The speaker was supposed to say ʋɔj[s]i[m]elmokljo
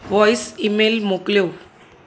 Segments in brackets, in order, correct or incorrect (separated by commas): correct, correct